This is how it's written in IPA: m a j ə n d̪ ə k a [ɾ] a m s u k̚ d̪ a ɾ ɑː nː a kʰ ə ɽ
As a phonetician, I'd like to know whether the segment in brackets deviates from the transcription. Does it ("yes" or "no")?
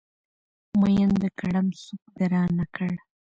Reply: yes